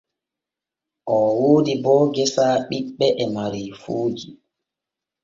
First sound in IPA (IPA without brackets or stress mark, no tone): ʔ